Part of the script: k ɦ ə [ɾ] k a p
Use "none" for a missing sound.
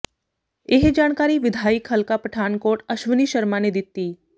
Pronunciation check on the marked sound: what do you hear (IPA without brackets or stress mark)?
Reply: l